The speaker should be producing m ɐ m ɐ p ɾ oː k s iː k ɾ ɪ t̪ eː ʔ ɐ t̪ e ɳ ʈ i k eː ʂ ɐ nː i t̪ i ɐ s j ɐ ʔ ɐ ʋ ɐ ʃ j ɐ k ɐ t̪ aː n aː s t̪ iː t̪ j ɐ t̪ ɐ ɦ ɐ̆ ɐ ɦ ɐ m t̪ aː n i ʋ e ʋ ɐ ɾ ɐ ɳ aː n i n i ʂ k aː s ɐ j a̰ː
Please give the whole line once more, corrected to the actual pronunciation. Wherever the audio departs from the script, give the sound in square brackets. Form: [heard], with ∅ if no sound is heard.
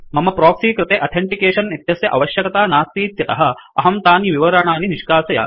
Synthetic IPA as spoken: m ɐ m ɐ p ɾ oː k s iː k ɾ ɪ t̪ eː ʔ ɐ [t̪ʰ] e ɳ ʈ i k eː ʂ ɐ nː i t̪ [j] ɐ s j ɐ ʔ ɐ ʋ ɐ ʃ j ɐ k ɐ t̪ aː n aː s t̪ iː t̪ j ɐ t̪ ɐ ɦ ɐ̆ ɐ ɦ ɐ m t̪ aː n i ʋ [i] ʋ ɐ ɾ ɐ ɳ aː n i n i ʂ k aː s ɐ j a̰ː